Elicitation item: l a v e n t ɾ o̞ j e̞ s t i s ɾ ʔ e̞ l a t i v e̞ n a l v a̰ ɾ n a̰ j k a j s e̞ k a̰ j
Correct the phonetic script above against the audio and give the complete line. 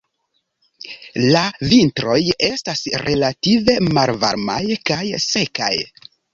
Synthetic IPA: l a v i n t ɾ o̞ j e̞ s t a s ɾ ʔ e̞ l a t i v e̞ m a l v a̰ ɾ m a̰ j k a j s e̞ k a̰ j